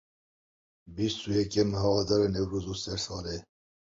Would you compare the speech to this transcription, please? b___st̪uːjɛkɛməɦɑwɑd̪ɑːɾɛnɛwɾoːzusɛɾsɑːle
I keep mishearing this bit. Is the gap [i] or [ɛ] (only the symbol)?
i